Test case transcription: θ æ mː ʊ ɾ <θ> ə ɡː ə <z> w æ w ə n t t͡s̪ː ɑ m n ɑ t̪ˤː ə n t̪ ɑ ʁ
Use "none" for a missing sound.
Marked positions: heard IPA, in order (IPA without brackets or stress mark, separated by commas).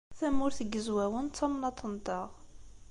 θ, z